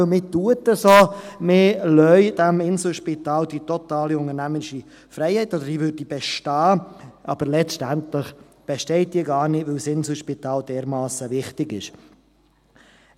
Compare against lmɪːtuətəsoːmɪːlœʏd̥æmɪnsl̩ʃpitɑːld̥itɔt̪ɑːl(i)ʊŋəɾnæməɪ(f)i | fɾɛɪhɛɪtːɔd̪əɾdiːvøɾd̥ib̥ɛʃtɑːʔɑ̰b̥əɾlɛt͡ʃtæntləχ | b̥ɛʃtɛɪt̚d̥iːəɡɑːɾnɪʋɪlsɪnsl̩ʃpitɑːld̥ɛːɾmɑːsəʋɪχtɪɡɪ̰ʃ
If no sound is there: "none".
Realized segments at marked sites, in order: i, ʃ

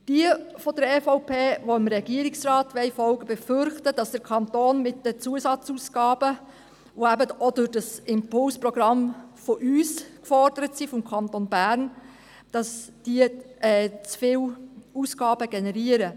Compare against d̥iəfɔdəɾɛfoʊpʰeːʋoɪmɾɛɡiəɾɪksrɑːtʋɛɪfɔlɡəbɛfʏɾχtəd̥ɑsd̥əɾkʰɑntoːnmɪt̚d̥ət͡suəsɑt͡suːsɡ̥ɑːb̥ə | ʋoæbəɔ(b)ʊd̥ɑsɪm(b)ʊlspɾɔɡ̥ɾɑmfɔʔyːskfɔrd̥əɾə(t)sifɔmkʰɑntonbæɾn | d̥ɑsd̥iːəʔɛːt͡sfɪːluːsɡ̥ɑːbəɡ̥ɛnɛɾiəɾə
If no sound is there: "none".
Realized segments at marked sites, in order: d, p, t

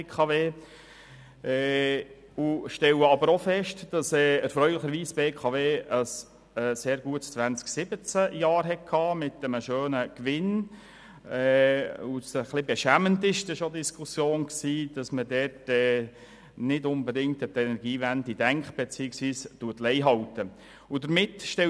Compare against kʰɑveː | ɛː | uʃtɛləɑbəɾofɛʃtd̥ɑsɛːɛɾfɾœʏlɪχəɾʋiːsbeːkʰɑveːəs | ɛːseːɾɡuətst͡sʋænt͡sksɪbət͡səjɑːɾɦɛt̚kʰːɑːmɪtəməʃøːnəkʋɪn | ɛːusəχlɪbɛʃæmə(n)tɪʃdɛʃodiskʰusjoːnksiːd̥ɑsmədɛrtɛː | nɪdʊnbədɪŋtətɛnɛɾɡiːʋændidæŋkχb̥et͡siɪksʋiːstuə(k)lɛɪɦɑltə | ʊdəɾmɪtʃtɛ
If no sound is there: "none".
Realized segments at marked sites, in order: n, t

